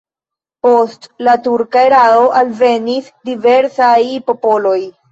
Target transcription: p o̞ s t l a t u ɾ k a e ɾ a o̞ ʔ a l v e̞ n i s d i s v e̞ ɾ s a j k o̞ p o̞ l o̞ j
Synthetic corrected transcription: p o̞ s t l a t u ɾ k a e ɾ a o̞ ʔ a l v e̞ n i s d i v e̞ ɾ s a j p o̞ p o̞ l o̞ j

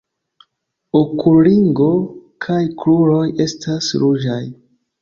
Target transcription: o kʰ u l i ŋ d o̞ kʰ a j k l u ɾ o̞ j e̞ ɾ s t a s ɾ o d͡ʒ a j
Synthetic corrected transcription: o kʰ u l i ŋ ɡ o̞ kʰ a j k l u ɾ o̞ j e̞ s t a s ɾ u d͡ʒ a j

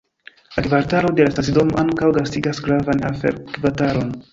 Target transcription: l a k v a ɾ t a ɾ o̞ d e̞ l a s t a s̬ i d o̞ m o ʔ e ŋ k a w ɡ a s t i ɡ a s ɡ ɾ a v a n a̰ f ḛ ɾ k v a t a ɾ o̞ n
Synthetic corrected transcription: l a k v a ɾ t a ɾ o̞ d e̞ l a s t a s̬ i d o̞ m o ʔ a ŋ k a w ɡ a s t i ɡ a s ɡ ɾ a v a n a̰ f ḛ ɾ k v a t a ɾ o̞ n

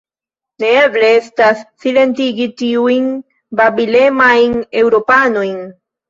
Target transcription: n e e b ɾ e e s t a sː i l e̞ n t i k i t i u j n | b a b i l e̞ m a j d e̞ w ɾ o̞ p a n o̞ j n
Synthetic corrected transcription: n e e b l e e s t a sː i l e̞ n t i ɡ i t i u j n | b a b i l e̞ m a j n e̞ w ɾ o̞ p a n o̞ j n

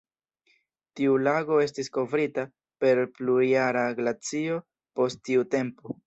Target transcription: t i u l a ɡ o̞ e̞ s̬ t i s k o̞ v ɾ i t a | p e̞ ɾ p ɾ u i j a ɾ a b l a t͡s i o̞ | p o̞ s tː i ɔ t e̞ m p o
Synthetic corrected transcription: t i u l a ɡ o̞ e̞ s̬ t i s k o̞ v ɾ i t a | p e̞ ɾ p l u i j a ɾ a ɡ l a t͡s i o̞ | p o̞ s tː i u t e̞ m p o

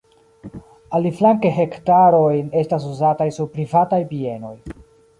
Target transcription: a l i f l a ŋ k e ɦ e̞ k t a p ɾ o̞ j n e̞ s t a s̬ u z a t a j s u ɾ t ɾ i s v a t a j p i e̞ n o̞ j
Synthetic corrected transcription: a l i f l a ŋ k e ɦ e̞ k t a ɾ o̞ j n e̞ s t a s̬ u z a t a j s u ɾ p ɾ i v a t a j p i e̞ n o̞ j

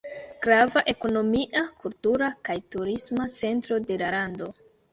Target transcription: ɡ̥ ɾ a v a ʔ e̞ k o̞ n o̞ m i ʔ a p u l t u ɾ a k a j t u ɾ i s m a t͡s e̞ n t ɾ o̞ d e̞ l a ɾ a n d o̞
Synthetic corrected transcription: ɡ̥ ɾ a v a ʔ e̞ k o̞ n o̞ m i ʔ a k u l t u ɾ a k a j t u ɾ i s m a t͡s e̞ n t ɾ o̞ d e̞ l a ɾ a n d o̞

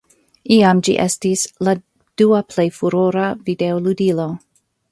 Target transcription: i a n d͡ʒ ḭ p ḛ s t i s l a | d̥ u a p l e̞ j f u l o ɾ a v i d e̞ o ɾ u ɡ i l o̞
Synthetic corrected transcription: i a m d͡ʒ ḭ ʔ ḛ s t i s l a | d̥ u a p l e̞ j f u ɾ o ɾ a v i d e̞ o l u d i l o̞

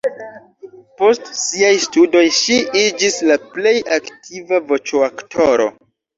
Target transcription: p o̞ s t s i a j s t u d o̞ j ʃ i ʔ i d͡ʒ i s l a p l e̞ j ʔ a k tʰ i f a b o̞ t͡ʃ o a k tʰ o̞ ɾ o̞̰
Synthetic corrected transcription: p o̞ s t s i a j s t u d o̞ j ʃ i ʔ i d͡ʒ i s l a p l e̞ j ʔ a k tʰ i v a v o̞ t͡ʃ o a k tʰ o̞ ɾ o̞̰

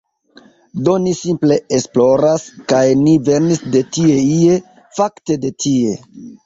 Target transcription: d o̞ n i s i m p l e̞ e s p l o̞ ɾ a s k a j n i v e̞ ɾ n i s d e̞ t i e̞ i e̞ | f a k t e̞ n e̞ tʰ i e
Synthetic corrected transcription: d o̞ n i s i m p l e̞ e s p l o̞ ɾ a s k a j n i v e̞ ɾ n i s d e̞ t i e̞ i e̞ | f a k t e̞ d e̞ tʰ i e

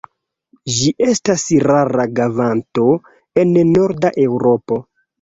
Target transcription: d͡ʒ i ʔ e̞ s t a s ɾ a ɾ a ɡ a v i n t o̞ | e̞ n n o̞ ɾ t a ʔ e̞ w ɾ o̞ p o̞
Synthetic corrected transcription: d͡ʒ i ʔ e̞ s t a s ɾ a ɾ a ɡ a v a n t o̞ | e̞ n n o̞ ɾ d a ʔ e̞ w ɾ o̞ p o̞

